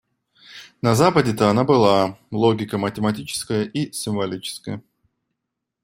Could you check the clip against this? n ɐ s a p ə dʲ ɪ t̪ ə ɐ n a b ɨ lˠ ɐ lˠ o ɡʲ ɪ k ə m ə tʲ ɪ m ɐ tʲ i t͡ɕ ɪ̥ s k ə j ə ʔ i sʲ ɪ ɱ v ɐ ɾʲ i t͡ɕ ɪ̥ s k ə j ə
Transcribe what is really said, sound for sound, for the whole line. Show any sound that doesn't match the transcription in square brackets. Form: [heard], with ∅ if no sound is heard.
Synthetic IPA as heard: n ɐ [z] a p ə dʲ ɪ t̪ ə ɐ n a b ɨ lˠ [a] lˠ o ɡʲ ɪ k ə m ə tʲ ɪ m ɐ tʲ i t͡ɕ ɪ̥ s k ə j ə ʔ i sʲ ɪ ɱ v ɐ [lʲ] i t͡ɕ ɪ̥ s k ə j ə